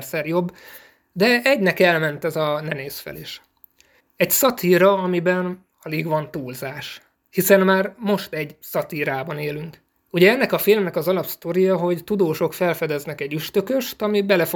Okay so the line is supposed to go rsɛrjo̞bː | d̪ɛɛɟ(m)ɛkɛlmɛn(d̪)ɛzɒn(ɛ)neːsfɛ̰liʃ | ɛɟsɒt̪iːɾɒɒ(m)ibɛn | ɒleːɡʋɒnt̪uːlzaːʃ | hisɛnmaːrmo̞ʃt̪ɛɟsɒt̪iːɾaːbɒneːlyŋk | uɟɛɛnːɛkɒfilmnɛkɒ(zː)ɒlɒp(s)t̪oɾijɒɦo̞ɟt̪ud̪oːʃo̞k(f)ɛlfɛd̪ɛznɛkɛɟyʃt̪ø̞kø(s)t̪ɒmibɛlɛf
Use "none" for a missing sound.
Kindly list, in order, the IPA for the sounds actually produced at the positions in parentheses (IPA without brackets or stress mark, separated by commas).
n, t̪, ɛ, m, z, s, f, ʃ